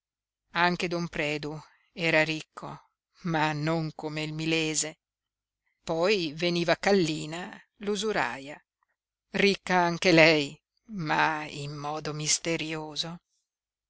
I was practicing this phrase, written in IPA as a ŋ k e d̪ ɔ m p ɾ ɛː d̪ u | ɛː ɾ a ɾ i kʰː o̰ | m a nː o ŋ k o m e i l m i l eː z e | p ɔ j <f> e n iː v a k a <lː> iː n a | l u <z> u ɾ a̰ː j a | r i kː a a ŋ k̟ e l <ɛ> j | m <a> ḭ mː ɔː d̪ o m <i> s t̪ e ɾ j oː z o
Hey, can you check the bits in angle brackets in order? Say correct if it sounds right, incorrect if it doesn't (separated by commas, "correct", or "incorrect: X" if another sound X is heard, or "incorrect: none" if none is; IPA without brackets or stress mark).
incorrect: v, correct, correct, correct, correct, correct